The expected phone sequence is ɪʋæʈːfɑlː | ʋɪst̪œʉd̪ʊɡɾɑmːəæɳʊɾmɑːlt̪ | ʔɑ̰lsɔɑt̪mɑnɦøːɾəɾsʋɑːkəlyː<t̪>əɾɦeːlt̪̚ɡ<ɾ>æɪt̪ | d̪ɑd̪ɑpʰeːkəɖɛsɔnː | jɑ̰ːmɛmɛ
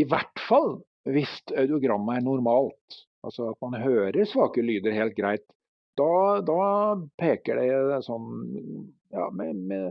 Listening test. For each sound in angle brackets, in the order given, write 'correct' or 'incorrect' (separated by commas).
incorrect, correct